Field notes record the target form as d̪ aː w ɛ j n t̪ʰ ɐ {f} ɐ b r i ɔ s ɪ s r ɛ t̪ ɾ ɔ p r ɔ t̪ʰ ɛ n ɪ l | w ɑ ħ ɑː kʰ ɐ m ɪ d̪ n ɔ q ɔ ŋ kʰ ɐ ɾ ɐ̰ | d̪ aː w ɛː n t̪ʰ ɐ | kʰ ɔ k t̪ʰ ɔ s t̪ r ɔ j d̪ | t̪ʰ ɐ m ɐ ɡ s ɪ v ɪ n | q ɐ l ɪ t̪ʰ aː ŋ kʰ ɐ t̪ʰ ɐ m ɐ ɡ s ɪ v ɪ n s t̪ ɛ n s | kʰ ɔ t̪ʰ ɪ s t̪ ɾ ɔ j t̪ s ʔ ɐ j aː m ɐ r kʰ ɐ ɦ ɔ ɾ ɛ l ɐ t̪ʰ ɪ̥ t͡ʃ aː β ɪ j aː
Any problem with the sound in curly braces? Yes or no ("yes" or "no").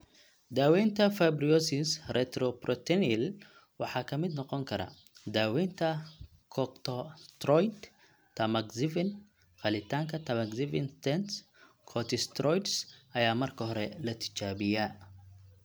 no